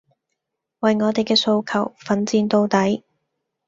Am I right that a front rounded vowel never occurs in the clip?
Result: yes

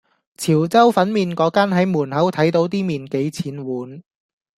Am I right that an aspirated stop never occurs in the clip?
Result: no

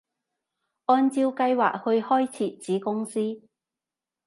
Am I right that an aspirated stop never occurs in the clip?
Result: no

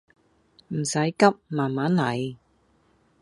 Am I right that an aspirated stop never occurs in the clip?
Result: yes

